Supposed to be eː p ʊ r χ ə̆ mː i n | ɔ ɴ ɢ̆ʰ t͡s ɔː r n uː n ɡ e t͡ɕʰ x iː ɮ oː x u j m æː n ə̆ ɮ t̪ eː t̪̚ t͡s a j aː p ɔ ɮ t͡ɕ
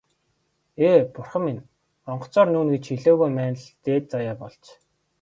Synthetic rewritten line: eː p ʊ r χ ə̆ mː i n | ɔ ɴ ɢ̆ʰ t͡s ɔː r n uː n ɡ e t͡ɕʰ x i ɮ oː ɣ u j m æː n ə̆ ɮ t̪ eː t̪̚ t͡s a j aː p ɔ ɮ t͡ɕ